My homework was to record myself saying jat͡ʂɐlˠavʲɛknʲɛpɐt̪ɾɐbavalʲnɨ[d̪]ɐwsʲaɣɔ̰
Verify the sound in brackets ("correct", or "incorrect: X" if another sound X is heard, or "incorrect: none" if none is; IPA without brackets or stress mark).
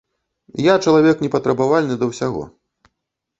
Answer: correct